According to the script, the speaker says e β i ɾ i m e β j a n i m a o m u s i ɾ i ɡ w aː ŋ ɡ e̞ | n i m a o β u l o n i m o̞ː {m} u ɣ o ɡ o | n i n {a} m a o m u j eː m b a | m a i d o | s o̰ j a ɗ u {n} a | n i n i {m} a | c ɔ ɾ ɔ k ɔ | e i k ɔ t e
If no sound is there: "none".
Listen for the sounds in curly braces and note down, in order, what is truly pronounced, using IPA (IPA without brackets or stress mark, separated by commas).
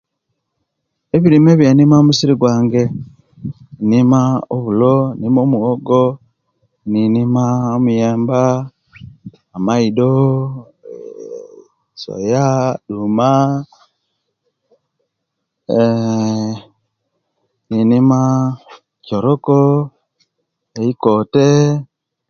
m, i, m, m